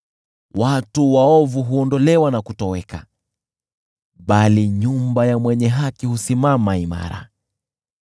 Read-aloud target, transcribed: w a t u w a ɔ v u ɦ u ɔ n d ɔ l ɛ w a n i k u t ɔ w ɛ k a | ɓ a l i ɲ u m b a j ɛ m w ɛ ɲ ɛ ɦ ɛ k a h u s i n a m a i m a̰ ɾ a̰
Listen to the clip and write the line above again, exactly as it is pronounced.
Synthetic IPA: w a t u w a ɔ v u ɦ u ɔ n d ɔ l ɛ w a n a k u t ɔ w ɛ k a | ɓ a l i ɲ u m b a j a m w ɛ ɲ ɛ ɦ a k i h u s i m a m a i m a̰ ɾ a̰